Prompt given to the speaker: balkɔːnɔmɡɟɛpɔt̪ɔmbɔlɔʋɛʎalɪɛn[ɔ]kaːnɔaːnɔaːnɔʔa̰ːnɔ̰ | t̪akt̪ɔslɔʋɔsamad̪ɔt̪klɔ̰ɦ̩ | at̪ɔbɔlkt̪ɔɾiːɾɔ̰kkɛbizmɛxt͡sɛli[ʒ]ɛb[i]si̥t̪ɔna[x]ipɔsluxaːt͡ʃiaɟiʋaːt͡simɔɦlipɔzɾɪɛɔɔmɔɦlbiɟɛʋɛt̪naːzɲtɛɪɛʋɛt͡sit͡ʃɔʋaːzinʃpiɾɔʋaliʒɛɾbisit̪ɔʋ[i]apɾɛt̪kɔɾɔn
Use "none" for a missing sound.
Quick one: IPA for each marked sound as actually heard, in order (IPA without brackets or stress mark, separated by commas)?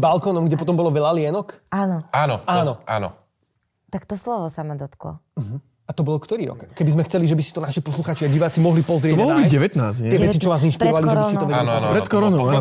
ɔ, ʒ, i, ʃ, ɛ